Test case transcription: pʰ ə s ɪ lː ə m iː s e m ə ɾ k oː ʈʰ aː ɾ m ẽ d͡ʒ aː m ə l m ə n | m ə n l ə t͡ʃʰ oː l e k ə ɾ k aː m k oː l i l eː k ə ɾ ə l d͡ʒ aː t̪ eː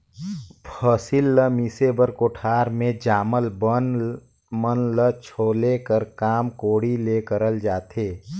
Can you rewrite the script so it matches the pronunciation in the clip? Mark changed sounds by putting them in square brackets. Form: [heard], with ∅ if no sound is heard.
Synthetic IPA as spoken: pʰ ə s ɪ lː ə m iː s e [b] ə ɾ k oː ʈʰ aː ɾ m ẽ d͡ʒ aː m ə l [b] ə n | m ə n l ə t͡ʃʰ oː l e k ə ɾ k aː m k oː [ɽ] i l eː k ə ɾ ə l d͡ʒ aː t̪ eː